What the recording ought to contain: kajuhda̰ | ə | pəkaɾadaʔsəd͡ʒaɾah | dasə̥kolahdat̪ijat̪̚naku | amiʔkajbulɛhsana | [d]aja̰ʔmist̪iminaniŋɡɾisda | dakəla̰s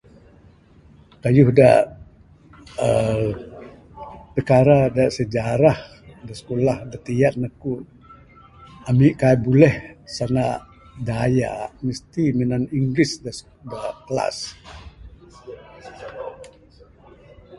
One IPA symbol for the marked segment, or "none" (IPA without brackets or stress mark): d